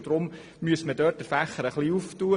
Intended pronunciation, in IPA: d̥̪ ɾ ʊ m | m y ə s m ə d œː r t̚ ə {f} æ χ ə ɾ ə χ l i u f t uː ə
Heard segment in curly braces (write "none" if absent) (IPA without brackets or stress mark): f